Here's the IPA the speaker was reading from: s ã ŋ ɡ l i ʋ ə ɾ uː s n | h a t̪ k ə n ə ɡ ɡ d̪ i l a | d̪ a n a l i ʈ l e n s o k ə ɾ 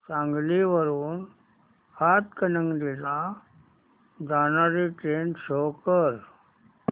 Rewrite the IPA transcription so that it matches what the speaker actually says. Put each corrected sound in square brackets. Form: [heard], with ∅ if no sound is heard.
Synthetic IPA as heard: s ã ŋ ɡ l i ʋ ə ɾ uː [∅] n | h a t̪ k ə n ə [ŋ] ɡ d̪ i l a | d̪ a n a [ɾ] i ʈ [ɾ] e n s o k ə ɾ